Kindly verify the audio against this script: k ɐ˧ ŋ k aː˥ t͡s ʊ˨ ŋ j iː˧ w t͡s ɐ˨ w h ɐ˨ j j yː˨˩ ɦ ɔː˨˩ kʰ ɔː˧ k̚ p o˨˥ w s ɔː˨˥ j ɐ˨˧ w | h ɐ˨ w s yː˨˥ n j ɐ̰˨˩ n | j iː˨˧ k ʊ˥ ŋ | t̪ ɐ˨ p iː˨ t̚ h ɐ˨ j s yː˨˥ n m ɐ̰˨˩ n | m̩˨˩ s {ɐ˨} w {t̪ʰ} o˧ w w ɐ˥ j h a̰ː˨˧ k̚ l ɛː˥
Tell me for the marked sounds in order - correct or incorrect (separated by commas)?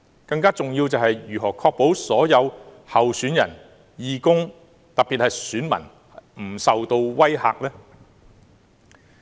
correct, incorrect